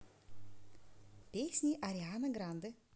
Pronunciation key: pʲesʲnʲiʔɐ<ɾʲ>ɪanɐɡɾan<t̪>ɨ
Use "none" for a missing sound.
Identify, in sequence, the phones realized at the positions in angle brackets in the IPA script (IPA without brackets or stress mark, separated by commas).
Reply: ɾʲ, d̪